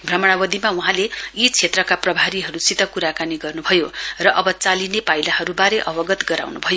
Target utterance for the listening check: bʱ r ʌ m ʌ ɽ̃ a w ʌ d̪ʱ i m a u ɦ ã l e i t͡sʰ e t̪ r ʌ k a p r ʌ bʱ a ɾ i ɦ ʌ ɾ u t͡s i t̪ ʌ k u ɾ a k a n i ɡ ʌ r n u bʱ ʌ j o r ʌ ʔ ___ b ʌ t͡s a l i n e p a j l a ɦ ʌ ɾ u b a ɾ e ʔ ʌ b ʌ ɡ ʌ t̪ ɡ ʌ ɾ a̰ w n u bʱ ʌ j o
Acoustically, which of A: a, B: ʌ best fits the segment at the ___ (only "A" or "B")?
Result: B